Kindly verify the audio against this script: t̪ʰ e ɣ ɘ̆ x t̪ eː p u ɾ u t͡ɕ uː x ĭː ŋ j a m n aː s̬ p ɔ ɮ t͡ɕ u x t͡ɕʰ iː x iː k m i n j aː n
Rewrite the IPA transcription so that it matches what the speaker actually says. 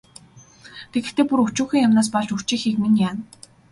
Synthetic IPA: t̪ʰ e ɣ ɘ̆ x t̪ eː p u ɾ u t͡ɕ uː x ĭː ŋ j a m n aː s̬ p ɔ ɮ t͡ɕ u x t͡ɕ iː x iː k m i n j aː n